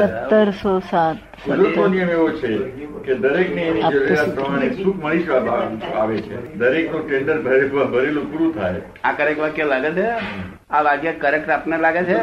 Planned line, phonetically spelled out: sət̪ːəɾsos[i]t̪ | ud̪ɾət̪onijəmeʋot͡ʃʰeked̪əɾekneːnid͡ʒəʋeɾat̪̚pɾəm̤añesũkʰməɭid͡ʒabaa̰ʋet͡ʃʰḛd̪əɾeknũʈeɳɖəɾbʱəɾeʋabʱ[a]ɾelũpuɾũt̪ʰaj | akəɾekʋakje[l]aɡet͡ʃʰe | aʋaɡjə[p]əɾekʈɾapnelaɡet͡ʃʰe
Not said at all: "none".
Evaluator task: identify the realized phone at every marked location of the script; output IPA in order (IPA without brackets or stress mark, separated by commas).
a, ə, l, k